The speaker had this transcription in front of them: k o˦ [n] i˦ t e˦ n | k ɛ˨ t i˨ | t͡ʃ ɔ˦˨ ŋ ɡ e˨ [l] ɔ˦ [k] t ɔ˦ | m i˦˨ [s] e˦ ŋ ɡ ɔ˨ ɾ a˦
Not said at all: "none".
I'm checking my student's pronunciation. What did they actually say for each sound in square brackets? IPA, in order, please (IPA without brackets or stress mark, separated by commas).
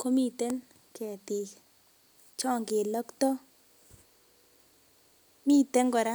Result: m, l, k, t